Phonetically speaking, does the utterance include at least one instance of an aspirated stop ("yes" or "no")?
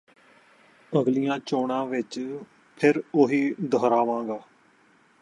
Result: yes